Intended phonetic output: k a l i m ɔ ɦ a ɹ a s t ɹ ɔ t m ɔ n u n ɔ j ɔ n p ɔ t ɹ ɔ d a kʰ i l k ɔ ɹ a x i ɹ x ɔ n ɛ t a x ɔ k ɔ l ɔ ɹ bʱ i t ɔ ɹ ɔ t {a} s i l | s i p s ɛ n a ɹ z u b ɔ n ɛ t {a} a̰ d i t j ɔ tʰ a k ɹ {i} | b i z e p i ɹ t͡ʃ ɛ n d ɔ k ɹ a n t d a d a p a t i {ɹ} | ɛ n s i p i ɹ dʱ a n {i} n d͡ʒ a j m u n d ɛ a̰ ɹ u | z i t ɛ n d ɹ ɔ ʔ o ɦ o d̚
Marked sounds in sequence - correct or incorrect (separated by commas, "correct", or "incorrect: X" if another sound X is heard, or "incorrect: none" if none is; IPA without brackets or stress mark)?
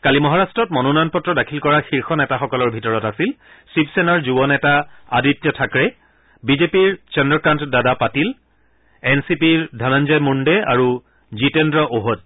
correct, correct, incorrect: ɛ, incorrect: l, incorrect: a